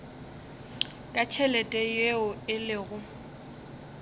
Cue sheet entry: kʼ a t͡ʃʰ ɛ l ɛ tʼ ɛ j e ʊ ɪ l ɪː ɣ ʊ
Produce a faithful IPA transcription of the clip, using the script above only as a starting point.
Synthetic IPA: kʼ a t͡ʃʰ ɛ l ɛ tʼ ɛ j e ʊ ɪ l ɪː ɣ ʊ